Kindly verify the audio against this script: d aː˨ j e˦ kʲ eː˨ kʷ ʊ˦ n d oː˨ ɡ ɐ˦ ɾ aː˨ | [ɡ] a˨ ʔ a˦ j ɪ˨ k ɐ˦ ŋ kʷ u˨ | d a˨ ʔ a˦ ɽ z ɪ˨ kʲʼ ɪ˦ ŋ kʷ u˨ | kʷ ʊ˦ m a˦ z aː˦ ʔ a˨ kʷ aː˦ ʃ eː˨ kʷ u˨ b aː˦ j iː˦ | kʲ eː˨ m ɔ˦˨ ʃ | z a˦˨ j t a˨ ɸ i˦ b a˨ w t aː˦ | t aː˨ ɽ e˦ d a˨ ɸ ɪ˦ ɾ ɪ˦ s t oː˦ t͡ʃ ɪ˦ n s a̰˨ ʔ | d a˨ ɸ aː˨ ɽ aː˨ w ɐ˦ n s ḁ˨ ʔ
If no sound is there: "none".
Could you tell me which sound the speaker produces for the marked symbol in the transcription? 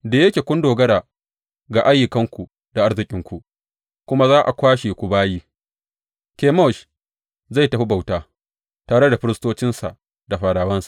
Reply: ɡ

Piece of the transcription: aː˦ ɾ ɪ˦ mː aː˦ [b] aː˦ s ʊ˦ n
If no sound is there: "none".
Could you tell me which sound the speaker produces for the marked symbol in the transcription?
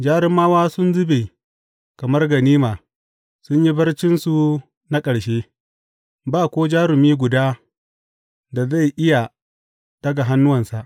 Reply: w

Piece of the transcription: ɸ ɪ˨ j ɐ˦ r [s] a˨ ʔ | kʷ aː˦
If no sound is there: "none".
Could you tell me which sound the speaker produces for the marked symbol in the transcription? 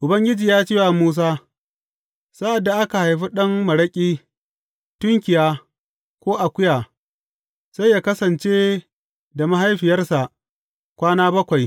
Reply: s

